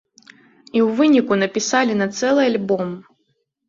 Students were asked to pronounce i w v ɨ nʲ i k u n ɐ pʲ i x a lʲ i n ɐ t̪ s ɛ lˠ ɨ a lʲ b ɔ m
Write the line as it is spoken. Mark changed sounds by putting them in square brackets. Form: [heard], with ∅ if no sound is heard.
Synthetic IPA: i w v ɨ nʲ i k u n ɐ pʲ i [s] a lʲ i n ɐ t̪ s ɛ lˠ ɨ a lʲ b ɔ m